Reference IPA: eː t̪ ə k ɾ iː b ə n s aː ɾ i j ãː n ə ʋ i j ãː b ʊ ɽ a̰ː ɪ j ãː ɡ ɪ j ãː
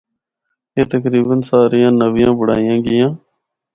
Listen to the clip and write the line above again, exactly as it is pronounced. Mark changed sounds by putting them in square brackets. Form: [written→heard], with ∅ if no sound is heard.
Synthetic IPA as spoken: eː t̪ ə k ɾ iː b ə n s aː ɾ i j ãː n ə ʋ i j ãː b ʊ ɽ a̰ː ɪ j ãː ɡ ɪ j ãː

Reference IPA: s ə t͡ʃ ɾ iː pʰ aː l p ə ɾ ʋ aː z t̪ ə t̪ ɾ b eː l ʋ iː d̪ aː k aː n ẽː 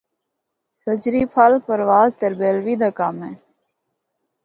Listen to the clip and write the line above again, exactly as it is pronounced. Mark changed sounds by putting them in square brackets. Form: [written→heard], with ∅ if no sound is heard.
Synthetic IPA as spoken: s ə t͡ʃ ɾ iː pʰ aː l p ə ɾ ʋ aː z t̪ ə [t̪→∅] ɾ b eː l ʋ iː d̪ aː k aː [n→m] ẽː

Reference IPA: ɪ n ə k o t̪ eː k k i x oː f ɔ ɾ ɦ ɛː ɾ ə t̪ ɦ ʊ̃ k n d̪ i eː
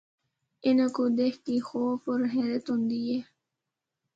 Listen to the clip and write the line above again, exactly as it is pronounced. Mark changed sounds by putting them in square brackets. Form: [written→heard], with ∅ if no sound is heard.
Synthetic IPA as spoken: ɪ n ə k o [t̪→d̪] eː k k i x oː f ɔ ɾ ɦ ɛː ɾ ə t̪ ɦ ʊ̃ [k→∅] n d̪ i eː

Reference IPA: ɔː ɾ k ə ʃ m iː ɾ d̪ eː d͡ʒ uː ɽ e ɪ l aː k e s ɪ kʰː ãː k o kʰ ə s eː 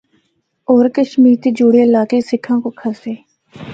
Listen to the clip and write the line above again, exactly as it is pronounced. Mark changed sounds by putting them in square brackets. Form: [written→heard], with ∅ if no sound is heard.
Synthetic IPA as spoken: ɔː ɾ k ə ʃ m iː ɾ [d̪→t̪] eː d͡ʒ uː ɽ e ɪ l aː k e s ɪ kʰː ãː k o kʰ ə s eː

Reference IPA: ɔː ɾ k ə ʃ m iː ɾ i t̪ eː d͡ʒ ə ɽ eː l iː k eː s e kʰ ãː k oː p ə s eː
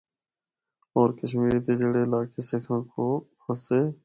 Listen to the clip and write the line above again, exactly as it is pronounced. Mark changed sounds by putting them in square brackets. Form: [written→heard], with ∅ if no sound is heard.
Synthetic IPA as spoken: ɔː ɾ k ə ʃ m iː ɾ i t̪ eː d͡ʒ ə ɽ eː l [iː→aː] k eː s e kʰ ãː k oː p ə s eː

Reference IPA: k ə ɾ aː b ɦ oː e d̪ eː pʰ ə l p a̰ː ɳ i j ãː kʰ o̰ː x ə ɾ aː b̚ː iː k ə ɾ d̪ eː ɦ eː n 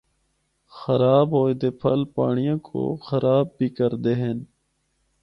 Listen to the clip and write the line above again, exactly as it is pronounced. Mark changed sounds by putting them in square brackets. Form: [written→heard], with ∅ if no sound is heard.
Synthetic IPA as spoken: [k→x] ə ɾ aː b ɦ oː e d̪ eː pʰ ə l p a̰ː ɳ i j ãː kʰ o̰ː x ə ɾ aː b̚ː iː k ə ɾ d̪ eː ɦ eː n

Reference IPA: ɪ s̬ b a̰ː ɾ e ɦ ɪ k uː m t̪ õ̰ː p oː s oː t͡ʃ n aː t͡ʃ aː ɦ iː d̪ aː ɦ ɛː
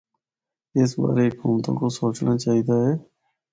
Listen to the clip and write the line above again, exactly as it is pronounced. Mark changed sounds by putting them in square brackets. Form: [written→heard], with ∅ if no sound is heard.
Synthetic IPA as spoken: ɪ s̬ b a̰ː ɾ e ɦ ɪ k uː m t̪ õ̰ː [p→k] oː s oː t͡ʃ n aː t͡ʃ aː ɦ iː d̪ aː ɦ ɛː

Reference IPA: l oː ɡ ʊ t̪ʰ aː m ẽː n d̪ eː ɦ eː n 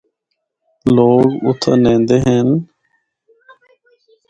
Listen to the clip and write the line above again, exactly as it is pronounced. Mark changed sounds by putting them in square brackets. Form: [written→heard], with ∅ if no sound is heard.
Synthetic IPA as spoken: l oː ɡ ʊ t̪ʰ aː [m→n] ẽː n d̪ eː ɦ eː n

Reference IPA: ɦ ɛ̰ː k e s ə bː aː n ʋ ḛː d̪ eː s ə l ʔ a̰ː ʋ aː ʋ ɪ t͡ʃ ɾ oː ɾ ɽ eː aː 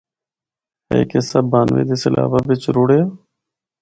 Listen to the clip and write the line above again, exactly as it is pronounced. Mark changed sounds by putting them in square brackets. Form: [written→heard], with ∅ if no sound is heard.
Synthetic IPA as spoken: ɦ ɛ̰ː k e s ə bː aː n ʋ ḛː d̪ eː s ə l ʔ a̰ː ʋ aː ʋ ɪ t͡ʃ ɾ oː [ɾ→∅] ɽ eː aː

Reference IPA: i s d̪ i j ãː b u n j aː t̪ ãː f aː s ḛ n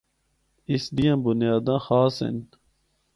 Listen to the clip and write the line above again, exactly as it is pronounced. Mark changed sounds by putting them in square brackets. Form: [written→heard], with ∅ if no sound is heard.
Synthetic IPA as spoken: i s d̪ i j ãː b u n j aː [t̪→d̪] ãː [f→x] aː s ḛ n

